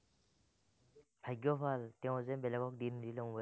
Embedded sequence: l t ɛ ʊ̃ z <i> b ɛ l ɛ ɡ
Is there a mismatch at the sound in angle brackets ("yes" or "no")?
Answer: yes